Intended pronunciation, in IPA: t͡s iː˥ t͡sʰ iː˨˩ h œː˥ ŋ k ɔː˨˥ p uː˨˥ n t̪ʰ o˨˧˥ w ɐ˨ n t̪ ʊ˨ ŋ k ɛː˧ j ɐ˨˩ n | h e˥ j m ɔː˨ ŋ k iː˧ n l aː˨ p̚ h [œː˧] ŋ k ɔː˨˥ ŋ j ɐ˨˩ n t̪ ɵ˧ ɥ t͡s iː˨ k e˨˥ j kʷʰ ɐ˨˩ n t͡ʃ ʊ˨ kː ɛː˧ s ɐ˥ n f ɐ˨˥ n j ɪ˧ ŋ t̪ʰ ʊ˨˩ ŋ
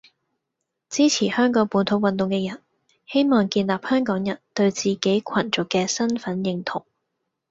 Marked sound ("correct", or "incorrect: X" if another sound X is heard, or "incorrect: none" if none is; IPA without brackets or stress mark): incorrect: œː˥